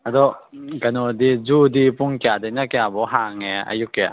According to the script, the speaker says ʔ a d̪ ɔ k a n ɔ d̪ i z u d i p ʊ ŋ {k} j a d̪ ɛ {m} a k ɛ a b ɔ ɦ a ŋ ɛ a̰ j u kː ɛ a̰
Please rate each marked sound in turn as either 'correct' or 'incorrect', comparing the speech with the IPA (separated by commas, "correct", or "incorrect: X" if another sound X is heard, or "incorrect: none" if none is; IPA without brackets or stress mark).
correct, incorrect: n